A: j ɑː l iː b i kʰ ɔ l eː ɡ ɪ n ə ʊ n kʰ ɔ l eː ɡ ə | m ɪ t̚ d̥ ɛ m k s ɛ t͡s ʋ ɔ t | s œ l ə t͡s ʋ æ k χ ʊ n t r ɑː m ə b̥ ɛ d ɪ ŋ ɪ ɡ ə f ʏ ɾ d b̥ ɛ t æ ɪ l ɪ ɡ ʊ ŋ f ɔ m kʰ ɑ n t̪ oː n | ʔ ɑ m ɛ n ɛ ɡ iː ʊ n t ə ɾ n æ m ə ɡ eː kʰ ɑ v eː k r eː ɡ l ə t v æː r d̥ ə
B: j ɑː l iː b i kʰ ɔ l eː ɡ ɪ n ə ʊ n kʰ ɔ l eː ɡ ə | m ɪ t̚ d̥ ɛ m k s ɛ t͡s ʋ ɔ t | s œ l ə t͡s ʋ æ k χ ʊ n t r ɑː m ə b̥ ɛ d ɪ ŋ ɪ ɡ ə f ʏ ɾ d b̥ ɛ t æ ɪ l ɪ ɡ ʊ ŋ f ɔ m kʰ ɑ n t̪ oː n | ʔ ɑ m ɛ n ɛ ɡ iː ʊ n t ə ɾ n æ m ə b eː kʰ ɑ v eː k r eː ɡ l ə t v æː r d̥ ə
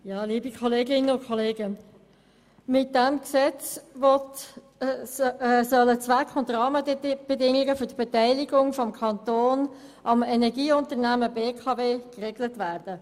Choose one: B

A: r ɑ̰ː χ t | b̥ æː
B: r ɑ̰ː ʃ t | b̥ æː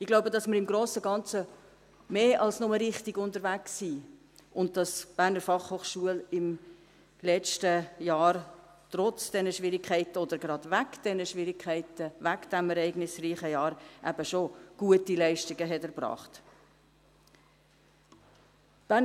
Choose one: A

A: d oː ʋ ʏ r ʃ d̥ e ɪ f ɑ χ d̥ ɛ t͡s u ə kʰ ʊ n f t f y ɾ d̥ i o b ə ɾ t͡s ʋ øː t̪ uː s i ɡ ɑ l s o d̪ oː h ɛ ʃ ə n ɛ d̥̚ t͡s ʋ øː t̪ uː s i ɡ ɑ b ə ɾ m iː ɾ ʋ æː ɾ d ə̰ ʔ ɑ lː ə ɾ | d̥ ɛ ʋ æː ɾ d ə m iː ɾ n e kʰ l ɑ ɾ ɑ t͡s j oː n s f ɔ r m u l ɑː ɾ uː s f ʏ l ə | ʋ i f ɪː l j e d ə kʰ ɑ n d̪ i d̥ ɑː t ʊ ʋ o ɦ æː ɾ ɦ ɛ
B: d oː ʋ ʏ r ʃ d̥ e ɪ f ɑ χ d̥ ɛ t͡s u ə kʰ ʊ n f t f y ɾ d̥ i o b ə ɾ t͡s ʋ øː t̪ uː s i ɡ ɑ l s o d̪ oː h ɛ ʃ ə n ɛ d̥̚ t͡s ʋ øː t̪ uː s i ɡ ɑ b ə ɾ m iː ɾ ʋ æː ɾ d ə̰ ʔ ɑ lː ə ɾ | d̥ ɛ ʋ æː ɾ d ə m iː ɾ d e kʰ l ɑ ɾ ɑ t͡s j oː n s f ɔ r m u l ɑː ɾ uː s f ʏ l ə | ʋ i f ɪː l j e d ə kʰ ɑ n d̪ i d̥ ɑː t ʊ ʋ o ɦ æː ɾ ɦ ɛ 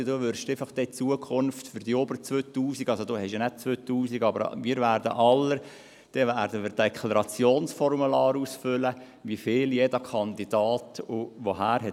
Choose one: B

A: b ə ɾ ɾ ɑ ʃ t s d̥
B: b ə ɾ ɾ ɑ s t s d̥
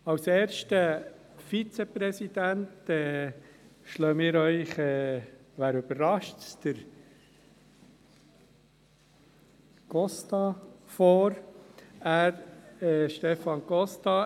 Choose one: A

